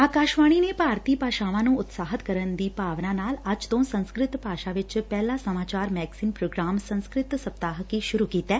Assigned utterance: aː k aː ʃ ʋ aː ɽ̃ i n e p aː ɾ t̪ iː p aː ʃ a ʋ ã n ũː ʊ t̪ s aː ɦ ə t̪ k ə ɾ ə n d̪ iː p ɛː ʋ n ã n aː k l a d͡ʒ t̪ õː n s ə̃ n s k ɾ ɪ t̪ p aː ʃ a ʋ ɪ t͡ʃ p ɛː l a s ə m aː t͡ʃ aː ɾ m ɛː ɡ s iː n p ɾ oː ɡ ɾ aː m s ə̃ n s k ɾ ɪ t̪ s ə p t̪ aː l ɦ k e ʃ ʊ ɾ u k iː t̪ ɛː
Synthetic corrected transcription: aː k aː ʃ ʋ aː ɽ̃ i n e p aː ɾ t̪ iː p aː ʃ a ʋ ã n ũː ʊ t̪ s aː ɦ ə t̪ k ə ɾ ə n d̪ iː p aː ʋ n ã n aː l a d͡ʒ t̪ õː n s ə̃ n s k ɾ ɪ t̪ p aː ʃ a ʋ ɪ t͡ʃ p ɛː l a s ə m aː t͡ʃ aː ɾ m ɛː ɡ s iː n p ɾ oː ɡ ɾ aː m s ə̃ n s k ɾ ɪ t̪ s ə p t̪ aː ɦ k i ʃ ʊ ɾ u k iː t̪ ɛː